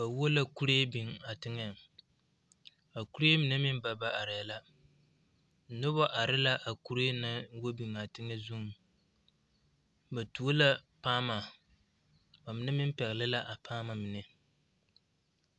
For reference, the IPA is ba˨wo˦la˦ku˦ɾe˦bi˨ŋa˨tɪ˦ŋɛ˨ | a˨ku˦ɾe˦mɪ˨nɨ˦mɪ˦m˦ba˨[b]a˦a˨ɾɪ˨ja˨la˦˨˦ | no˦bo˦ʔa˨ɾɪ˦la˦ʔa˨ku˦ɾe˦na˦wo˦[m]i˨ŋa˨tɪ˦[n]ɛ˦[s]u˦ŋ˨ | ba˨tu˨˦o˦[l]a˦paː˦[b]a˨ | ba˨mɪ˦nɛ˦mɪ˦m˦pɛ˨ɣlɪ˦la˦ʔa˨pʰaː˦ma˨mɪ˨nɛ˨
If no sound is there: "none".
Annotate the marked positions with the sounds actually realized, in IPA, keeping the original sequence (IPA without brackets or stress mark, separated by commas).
b, b, ŋ, z, l, m